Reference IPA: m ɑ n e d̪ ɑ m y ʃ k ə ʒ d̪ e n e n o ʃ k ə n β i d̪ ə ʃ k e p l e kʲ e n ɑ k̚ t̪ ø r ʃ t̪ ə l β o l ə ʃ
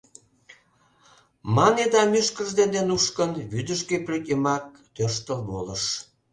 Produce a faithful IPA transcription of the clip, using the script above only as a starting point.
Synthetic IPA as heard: m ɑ n e d̪ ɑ m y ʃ k ə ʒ d̪ e n e n u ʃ k ə n β y d̪ ə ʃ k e p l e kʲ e m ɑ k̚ t̪ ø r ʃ t̪ ə l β o l ə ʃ